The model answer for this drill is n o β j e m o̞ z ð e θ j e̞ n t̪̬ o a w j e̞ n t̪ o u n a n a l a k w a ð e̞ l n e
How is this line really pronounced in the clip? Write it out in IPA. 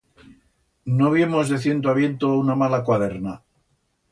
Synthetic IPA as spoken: n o β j e m o̞ z ð e θ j e̞ n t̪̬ o a β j e̞ n t̪ o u n a m a l a k w a ð e̞ ɾ n a